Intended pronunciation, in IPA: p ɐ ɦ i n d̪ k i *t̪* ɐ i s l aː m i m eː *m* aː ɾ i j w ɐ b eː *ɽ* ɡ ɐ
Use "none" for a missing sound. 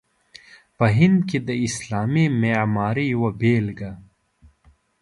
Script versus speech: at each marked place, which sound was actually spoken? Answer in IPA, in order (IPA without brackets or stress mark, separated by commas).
d̪, m, l